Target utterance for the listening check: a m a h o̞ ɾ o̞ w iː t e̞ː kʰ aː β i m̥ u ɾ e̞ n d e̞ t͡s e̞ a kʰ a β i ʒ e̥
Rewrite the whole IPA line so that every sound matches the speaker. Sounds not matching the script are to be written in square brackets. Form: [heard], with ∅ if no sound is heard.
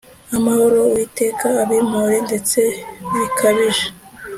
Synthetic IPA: a m a h o̞ ɾ o̞ w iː t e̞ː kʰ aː β i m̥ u ɾ e̞ n d e̞ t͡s e̞ [i] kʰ a β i ʒ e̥